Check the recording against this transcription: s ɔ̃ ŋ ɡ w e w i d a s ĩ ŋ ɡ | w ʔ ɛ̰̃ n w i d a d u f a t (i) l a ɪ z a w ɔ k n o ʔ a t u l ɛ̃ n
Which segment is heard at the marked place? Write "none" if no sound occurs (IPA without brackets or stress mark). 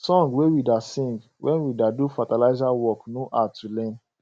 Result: a